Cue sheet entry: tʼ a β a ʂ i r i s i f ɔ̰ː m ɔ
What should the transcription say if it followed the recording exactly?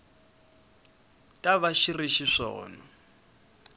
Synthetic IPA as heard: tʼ a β a ʃ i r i ʃ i ʂ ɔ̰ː n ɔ